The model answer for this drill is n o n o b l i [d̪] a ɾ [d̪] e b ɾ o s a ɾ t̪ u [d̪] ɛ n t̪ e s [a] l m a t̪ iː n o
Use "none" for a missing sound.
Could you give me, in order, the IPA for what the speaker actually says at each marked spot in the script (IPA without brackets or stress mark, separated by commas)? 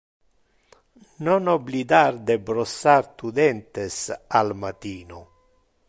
d̪, d̪, d̪, a